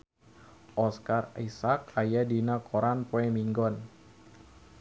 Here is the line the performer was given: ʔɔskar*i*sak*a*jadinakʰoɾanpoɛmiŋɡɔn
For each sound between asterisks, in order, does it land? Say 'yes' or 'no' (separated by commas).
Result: yes, yes